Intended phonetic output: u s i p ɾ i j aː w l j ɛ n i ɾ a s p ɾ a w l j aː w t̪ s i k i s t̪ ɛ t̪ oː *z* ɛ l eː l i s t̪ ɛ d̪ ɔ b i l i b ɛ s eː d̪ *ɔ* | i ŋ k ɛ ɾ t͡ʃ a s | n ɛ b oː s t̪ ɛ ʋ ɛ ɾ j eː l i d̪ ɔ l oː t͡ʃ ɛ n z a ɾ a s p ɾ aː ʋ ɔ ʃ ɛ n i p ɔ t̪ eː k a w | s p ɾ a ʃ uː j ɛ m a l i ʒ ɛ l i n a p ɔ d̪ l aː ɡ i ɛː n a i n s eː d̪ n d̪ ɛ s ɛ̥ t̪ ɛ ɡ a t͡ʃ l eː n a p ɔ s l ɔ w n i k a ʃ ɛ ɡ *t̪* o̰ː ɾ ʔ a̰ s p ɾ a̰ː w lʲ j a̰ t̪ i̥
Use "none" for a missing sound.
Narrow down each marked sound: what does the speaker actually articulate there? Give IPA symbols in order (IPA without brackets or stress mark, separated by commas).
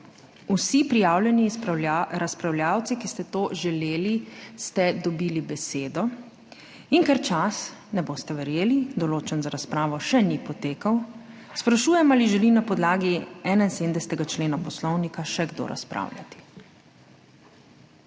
ʒ, ɔ, d̪